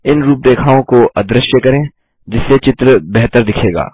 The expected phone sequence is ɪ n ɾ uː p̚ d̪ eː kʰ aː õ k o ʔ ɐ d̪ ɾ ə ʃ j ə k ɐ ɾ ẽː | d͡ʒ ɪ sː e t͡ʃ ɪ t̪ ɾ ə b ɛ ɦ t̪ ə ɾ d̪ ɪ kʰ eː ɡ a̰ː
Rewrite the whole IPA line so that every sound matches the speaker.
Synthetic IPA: ɪ n ɾ uː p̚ d̪ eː kʰ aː õ k o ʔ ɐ d̪ ɾ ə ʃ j ə k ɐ ɾ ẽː | d͡ʒ ɪ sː e t͡ʃ ɪ t̪ ɾ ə b ɛ ɦ t̪ ə ɾ d̪ ɪ kʰ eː ɡ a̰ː